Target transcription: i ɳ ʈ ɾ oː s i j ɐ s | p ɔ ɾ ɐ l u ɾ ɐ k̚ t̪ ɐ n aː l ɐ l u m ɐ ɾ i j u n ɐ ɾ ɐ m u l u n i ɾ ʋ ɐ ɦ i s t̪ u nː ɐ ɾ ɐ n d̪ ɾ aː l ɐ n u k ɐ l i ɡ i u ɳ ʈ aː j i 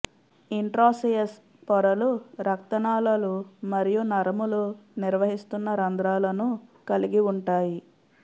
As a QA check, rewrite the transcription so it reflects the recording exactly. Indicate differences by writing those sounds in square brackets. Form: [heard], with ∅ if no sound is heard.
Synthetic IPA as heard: i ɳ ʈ ɾ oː s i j ɐ s | p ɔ ɾ ɐ l u ɾ ɐ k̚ t̪ ɐ n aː l ɐ l u m ɐ ɾ i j u n ɐ ɾ ɐ m u l u n i ɾ ʋ ɐ ɦ i s t̪ u nː ɐ ɾ ɐ n d̪ ɾ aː l ɐ n u k ɐ l i ɡ i u ɳ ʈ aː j i